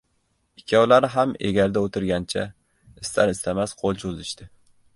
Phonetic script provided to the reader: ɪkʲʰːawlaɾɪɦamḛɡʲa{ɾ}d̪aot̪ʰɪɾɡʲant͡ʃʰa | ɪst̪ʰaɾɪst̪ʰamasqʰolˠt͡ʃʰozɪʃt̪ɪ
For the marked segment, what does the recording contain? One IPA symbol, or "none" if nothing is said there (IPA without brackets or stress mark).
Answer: ɾ